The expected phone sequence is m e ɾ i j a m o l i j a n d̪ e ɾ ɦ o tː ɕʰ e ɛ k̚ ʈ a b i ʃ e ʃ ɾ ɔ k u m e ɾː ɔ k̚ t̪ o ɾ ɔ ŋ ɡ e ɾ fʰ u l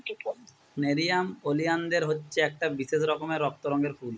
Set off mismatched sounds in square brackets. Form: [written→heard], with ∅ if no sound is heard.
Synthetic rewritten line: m e ɾ i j a m o l i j a n d̪ e ɾ ɦ o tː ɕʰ e ɛ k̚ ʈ a b i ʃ e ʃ ɾ ɔ k [u→o] m e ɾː ɔ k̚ t̪ o ɾ ɔ ŋ ɡ e ɾ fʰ u l